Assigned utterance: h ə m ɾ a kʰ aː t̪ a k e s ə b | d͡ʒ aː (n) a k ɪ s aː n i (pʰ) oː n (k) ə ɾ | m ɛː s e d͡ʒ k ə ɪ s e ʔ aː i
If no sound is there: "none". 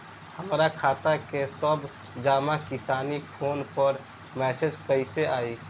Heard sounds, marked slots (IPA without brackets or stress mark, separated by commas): m, pʰ, p